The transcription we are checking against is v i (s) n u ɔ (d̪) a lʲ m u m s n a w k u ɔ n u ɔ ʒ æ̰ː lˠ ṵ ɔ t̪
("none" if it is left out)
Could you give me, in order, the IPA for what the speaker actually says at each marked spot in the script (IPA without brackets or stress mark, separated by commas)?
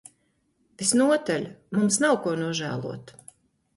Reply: s, t̪